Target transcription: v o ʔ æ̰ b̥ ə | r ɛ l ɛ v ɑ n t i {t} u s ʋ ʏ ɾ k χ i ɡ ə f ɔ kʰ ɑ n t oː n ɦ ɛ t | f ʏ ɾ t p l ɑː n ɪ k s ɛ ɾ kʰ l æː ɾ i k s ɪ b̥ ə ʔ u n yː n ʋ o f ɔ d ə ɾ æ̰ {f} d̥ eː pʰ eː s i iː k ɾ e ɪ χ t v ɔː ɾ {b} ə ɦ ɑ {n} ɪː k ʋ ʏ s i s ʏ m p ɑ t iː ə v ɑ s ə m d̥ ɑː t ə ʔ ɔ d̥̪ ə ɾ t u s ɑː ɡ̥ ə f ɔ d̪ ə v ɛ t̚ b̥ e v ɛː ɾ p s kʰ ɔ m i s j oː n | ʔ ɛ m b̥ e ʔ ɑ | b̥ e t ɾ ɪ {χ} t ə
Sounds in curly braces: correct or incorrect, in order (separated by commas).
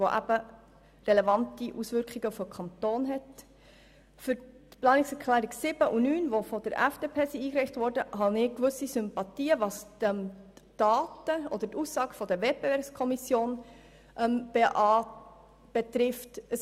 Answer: incorrect, correct, incorrect, correct, incorrect